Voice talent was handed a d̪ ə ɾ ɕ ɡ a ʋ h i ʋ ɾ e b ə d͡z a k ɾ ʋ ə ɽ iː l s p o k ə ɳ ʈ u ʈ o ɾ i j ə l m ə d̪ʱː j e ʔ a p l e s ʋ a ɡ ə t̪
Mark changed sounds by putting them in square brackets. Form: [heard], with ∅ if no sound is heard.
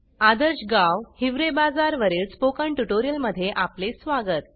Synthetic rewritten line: a d̪ ə ɾ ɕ ɡ a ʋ h i ʋ ɾ e b [a] d͡z a [∅] ɾ ʋ ə [ɾ] iː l s p o k ə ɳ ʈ u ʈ o ɾ i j ə l m ə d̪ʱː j e ʔ a p l e s ʋ a ɡ ə t̪